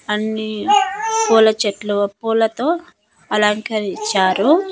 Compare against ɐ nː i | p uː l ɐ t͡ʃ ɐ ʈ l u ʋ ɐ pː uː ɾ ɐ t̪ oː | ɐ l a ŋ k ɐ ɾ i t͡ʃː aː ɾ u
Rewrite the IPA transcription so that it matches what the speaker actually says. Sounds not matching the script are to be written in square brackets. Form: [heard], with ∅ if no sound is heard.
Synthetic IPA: ɐ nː i | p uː l ɐ t͡ʃ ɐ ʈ l u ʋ ɐ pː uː [l] ɐ t̪ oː | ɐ l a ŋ k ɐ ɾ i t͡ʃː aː ɾ u